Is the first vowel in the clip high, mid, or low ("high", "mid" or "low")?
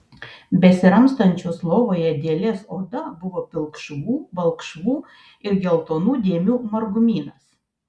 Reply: mid